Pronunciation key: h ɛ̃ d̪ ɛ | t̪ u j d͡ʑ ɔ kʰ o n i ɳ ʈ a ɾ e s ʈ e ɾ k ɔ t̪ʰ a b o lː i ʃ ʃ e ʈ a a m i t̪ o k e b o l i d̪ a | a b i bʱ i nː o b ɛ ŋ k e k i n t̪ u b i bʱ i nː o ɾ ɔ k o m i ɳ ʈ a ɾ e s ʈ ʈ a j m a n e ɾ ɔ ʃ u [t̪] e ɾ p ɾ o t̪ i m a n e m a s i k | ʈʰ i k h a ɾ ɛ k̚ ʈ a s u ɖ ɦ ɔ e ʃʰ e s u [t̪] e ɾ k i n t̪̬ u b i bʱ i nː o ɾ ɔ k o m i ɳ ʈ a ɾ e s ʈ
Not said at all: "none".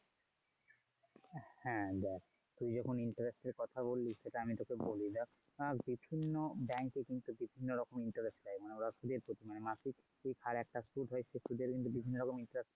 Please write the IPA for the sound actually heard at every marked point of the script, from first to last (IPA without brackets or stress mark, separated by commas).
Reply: d̪, d̪